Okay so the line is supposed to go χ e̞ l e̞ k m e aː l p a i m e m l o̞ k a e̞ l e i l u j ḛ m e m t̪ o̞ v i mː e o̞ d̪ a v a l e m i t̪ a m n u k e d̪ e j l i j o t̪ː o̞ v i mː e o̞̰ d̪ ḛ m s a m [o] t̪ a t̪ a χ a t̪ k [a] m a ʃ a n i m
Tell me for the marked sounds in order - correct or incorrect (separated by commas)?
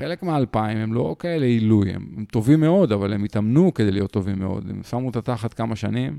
incorrect, correct